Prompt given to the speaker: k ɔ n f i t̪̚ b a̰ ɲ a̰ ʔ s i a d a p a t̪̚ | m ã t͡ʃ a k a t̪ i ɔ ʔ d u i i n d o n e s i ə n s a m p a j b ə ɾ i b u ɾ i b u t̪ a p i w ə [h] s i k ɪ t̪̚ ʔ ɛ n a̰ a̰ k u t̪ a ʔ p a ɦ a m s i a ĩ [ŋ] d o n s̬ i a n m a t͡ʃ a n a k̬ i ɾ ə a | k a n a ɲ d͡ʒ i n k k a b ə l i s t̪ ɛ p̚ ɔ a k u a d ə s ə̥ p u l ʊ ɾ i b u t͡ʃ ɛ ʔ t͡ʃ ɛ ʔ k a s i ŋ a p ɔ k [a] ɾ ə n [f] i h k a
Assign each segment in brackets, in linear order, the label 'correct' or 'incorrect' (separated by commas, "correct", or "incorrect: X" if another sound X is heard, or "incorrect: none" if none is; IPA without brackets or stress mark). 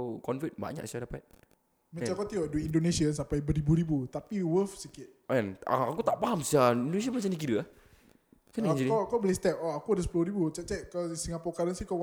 incorrect: f, incorrect: n, correct, incorrect: s